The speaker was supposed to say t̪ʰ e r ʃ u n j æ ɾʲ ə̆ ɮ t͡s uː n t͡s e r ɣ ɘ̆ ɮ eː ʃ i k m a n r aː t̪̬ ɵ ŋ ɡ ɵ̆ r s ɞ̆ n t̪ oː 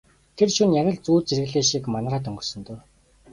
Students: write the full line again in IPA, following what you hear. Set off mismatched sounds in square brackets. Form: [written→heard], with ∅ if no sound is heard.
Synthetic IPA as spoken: t̪ʰ e r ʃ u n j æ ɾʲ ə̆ ɮ t͡s uː [n→∅] t͡s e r ɣ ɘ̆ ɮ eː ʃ i k m a n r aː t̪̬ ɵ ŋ ɡ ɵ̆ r s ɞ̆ n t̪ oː